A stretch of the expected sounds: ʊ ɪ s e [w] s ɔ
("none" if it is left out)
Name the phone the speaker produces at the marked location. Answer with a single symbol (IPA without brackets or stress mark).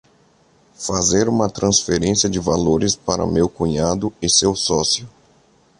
w